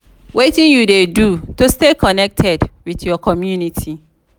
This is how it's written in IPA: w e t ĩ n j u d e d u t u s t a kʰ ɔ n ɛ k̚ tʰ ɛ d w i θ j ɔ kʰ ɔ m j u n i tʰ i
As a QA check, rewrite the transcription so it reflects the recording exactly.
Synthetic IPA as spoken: w e t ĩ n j u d e d u t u s t e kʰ ɔ n ɛ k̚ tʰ ɛ d w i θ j ɔ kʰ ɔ m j u n i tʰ i

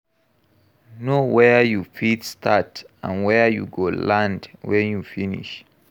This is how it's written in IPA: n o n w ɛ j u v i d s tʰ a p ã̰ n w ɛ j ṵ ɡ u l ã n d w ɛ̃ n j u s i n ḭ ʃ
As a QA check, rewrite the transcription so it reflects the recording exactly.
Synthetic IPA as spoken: n o w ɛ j u f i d s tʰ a t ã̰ n w ɛ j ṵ ɡ o l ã n d w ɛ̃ n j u f i n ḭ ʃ

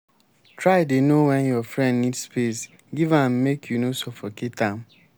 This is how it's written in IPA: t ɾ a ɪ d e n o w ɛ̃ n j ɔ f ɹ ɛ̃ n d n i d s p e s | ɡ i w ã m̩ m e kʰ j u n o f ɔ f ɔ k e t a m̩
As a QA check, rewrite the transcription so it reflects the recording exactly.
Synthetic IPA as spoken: t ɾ a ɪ d e n o w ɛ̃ n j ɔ f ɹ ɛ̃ n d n i d s p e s | ɡ i v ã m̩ m e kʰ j u n o s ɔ f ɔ k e t a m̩

